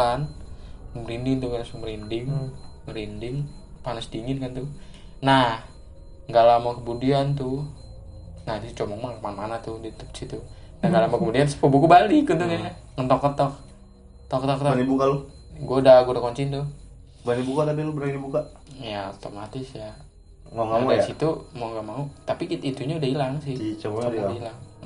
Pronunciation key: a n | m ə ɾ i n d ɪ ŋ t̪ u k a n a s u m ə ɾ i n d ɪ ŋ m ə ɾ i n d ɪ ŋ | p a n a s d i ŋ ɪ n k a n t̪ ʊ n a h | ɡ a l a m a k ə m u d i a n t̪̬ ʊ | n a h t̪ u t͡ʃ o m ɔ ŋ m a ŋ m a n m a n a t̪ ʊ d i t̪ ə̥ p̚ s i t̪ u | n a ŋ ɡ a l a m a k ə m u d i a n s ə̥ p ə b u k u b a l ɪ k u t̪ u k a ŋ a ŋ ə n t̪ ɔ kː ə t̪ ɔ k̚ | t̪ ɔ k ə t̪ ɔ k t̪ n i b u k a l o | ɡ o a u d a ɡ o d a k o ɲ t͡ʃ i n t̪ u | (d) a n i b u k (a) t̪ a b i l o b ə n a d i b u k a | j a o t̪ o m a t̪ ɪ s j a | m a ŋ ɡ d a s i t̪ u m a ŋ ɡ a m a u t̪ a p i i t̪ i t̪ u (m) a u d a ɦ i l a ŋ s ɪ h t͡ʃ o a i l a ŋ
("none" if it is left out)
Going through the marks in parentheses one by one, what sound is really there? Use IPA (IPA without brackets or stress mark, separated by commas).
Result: b, a, ɲ